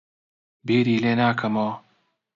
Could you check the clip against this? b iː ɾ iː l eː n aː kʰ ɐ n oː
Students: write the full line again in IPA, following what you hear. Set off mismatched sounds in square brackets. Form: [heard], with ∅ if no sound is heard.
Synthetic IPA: b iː ɾ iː l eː n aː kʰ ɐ [m] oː